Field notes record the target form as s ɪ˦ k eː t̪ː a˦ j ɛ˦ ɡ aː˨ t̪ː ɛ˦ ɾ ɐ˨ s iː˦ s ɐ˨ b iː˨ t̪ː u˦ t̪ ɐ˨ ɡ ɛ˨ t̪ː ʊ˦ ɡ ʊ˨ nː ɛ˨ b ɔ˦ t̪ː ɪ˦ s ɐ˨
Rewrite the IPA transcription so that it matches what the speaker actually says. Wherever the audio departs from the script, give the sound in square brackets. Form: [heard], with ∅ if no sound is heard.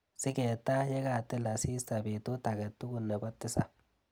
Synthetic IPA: s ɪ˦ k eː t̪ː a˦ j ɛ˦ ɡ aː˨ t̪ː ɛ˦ [l] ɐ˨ s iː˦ s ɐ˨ b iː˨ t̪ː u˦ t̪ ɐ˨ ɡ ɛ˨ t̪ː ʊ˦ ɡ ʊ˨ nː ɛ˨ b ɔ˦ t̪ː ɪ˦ s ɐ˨